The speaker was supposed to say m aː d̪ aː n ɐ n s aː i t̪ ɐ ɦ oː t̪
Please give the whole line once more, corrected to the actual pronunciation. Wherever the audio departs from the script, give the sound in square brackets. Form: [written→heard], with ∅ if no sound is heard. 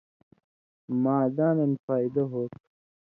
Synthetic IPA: m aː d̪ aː n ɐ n [s→f] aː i [t̪→d̪] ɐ ɦ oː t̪